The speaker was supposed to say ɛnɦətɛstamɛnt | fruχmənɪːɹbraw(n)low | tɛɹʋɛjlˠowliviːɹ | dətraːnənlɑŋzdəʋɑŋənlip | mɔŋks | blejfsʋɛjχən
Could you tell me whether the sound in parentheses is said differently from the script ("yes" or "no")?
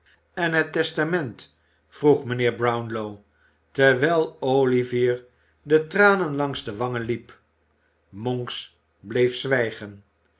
no